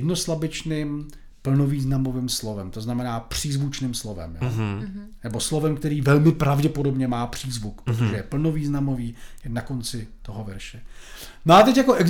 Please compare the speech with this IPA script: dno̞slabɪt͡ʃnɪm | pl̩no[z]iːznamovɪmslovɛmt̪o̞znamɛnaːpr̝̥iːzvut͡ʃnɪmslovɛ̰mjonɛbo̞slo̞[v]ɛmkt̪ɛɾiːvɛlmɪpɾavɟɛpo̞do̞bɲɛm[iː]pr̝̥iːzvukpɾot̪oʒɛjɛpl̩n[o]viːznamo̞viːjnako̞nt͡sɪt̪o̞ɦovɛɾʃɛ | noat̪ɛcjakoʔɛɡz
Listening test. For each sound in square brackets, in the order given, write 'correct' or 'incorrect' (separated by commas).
incorrect, correct, incorrect, correct